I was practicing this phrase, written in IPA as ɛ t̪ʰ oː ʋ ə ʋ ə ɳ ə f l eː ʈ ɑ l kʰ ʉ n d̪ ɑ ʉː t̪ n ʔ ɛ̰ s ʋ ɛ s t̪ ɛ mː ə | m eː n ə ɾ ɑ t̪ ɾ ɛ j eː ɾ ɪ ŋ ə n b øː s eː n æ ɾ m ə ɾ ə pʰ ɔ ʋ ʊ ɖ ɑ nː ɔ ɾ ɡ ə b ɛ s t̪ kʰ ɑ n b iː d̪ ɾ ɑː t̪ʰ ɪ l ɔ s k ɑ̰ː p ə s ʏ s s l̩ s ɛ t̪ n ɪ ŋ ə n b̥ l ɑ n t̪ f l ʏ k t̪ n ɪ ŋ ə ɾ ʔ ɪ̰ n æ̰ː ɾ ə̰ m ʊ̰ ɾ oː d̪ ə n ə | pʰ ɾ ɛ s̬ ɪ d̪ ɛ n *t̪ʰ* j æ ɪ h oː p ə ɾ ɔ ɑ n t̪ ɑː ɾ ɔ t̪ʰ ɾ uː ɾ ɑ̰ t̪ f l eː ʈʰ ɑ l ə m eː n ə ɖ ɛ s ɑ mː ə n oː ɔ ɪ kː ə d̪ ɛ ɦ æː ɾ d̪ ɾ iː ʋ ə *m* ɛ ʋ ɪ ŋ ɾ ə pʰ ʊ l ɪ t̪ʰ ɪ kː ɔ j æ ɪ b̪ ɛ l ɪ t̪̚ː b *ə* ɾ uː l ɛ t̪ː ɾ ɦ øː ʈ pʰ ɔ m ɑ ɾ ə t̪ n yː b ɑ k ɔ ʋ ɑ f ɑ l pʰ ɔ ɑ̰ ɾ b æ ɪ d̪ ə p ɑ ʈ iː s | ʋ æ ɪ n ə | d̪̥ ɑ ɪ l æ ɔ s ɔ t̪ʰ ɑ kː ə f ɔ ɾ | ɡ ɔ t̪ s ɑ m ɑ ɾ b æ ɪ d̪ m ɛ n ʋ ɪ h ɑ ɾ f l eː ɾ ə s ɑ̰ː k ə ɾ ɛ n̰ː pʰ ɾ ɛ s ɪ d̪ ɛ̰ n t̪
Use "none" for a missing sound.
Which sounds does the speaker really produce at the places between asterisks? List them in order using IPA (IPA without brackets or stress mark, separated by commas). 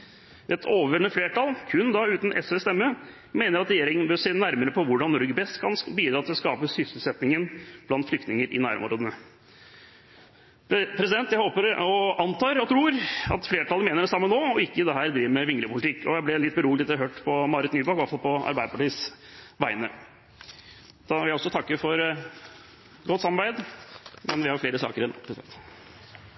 t̪, m, ə